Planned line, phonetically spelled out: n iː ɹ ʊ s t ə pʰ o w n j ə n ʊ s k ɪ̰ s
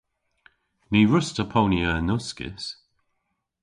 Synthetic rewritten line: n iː ɹ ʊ s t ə pʰ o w n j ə n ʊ s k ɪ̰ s